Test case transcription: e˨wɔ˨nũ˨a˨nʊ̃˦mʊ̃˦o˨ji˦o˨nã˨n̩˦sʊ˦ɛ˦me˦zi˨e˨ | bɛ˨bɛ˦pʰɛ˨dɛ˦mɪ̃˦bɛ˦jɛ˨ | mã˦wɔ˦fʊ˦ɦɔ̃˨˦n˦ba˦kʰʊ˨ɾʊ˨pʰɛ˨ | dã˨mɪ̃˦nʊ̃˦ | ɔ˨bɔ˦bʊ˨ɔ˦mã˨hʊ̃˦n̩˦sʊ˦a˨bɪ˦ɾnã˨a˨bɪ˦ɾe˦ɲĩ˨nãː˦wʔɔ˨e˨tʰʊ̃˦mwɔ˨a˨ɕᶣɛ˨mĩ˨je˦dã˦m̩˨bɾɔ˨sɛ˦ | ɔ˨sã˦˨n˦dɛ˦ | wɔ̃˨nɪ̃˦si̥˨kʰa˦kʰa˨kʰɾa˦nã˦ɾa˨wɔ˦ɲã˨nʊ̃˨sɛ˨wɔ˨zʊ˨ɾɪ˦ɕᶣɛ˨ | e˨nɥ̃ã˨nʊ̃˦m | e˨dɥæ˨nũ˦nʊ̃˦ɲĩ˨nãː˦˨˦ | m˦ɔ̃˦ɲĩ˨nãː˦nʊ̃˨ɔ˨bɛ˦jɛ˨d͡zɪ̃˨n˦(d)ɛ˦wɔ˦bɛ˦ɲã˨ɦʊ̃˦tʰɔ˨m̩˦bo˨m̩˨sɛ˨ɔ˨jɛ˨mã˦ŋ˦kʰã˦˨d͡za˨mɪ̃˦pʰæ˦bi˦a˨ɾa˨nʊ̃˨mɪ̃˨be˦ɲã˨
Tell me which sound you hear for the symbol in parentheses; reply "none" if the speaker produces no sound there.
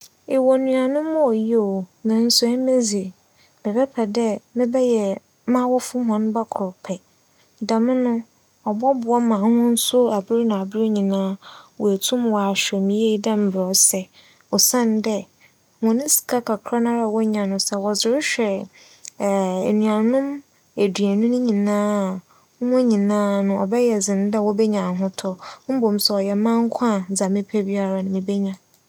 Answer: d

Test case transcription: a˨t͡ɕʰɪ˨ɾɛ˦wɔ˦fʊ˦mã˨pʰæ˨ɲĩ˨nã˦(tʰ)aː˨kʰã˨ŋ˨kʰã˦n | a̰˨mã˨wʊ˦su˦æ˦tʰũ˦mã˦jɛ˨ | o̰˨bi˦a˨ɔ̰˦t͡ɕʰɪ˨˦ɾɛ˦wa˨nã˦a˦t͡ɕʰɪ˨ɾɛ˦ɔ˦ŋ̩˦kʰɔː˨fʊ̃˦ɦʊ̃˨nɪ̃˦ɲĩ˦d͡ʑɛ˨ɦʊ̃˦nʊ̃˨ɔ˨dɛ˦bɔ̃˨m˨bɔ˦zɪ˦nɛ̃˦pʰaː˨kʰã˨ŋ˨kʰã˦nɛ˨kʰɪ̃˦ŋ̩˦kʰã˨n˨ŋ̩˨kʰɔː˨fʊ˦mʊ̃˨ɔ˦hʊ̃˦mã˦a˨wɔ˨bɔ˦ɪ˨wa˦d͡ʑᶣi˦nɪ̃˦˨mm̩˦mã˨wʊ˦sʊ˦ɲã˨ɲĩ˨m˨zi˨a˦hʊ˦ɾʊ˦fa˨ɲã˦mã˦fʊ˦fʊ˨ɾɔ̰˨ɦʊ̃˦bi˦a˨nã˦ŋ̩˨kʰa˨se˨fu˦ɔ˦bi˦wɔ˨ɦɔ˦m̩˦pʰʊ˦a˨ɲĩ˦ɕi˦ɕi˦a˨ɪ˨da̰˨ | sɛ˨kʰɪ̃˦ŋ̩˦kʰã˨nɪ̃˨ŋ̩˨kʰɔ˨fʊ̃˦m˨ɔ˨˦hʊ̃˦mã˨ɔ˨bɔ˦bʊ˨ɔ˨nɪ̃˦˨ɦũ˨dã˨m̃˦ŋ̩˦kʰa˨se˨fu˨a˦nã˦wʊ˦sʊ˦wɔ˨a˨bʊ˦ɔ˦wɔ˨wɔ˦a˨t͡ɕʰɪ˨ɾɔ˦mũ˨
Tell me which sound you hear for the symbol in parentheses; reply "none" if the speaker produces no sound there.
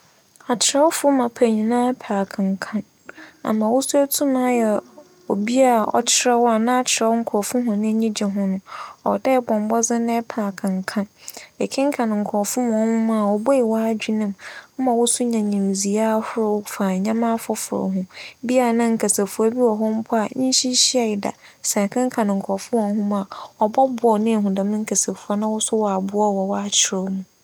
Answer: pʰ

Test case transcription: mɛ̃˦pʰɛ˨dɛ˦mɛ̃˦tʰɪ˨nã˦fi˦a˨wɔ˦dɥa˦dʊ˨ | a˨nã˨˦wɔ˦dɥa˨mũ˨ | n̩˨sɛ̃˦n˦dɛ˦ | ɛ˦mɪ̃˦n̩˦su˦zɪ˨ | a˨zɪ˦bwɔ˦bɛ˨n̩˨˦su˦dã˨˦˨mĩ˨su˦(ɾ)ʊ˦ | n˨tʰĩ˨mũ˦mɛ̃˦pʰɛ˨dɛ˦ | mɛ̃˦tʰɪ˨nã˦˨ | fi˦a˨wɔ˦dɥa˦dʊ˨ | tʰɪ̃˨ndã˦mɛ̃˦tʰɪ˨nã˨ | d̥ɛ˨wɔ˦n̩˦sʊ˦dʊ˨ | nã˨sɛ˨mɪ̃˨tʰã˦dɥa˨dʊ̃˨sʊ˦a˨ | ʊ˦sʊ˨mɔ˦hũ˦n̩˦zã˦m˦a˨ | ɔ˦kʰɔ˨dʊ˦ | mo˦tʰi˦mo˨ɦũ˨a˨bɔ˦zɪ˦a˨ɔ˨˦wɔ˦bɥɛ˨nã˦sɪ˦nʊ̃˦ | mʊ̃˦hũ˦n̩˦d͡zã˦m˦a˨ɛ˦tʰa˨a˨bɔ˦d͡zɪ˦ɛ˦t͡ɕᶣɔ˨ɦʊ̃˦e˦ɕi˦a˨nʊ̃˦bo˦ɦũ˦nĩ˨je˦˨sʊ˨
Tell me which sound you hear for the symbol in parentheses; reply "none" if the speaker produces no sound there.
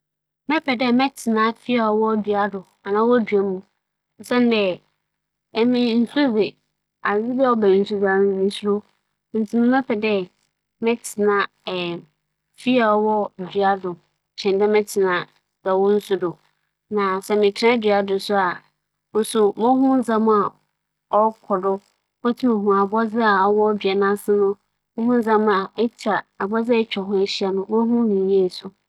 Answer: ɾ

